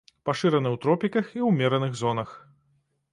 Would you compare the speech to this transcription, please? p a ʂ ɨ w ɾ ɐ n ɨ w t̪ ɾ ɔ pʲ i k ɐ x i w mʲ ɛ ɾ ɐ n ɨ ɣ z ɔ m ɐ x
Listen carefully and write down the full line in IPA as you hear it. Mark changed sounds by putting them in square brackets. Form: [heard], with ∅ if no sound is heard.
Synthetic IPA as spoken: p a ʂ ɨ [∅] ɾ ɐ n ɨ w t̪ ɾ ɔ pʲ i k ɐ x i w mʲ ɛ ɾ ɐ n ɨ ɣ z ɔ [n] ɐ x